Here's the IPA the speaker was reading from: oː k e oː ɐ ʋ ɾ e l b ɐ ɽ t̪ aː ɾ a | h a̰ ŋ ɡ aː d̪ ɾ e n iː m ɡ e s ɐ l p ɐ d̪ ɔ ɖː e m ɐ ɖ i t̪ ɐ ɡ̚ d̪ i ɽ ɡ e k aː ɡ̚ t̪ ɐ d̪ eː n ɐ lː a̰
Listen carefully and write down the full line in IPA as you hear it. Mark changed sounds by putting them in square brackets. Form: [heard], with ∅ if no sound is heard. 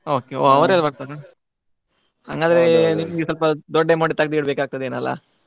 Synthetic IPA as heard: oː k e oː ɐ ʋ ɾ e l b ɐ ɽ t̪ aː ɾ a | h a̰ ŋ ɡ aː d̪ ɾ e n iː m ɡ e s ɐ l p ɐ d̪ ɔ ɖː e m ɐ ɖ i t̪ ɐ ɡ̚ d̪ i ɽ [b] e k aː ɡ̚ t̪ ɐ d̪ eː n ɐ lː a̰